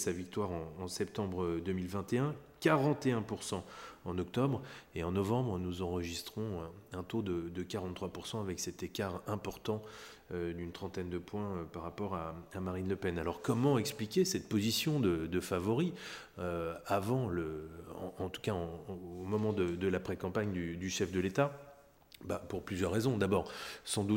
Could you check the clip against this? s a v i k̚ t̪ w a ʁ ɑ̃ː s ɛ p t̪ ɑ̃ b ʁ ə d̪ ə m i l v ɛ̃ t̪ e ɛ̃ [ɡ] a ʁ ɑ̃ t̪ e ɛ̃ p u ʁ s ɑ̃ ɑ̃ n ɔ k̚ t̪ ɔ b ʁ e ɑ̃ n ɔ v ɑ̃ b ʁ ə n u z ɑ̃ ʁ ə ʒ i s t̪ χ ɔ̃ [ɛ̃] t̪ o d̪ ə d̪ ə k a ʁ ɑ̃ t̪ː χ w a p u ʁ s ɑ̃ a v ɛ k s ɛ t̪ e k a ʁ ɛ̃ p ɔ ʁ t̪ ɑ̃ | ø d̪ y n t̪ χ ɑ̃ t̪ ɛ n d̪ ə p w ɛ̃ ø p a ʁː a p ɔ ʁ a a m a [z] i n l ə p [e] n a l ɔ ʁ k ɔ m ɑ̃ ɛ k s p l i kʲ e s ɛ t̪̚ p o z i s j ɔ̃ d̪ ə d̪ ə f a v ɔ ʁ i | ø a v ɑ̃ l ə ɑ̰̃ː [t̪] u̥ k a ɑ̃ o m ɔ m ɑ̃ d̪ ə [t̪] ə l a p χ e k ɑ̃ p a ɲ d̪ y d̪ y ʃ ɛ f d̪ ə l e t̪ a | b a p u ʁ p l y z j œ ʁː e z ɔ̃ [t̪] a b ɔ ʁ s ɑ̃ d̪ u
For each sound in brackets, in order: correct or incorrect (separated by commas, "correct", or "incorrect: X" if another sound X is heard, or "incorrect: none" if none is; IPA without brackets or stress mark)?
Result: incorrect: k, correct, incorrect: ʁ, incorrect: ɛ, correct, incorrect: d̪, incorrect: d̪